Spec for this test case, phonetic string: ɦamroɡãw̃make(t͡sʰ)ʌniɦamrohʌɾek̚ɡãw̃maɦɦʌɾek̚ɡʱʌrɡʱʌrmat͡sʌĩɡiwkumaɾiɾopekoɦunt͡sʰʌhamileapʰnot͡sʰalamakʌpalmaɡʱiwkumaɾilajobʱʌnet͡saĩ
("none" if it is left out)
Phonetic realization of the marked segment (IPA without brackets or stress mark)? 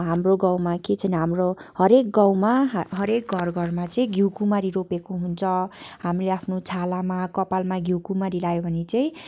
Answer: t͡sʰ